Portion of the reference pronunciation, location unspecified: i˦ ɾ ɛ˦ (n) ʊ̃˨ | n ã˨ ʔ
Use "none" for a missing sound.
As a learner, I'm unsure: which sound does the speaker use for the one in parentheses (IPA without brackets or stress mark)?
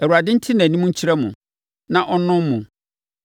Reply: m